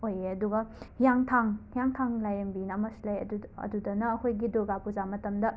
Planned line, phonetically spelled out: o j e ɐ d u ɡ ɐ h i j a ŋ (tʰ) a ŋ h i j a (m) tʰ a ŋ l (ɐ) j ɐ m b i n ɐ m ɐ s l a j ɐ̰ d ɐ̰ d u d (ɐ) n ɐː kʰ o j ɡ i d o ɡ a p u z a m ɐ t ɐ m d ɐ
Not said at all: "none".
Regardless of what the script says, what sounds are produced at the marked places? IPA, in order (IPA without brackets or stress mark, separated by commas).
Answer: tʰ, ŋ, a, ɐ